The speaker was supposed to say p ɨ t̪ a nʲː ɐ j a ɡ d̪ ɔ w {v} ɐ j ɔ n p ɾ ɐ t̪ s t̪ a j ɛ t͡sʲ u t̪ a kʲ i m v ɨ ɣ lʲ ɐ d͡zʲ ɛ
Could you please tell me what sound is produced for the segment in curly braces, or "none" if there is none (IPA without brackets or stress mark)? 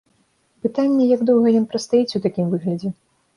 ɣ